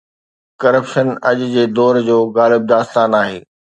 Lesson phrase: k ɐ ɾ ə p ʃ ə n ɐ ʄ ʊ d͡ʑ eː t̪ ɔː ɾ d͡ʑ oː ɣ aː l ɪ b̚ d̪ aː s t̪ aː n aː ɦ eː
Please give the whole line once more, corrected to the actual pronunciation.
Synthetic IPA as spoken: k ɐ ɾ ə p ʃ ə n ɐ ʄ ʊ d͡ʑ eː d̪ ɔː ɾ d͡ʑ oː ɣ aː l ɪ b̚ d̪ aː s t̪ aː n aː ɦ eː